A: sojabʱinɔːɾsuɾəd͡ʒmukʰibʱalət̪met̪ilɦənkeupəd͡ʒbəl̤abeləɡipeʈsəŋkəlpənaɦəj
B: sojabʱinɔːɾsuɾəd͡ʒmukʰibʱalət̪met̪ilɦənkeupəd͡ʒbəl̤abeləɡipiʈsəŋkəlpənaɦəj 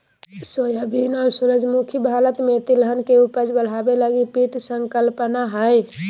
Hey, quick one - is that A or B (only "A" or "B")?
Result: B